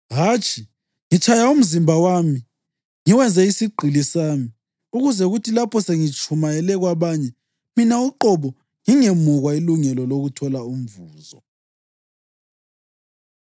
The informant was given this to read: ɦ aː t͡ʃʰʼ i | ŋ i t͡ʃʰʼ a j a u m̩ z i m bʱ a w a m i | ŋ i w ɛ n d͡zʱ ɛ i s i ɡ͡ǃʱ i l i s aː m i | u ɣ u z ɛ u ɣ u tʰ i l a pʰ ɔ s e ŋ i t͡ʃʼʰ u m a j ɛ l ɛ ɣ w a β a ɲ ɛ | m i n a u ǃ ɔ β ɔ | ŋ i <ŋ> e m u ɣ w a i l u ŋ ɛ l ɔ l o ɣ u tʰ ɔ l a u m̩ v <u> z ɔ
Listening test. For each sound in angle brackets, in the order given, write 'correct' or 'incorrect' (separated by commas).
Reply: correct, incorrect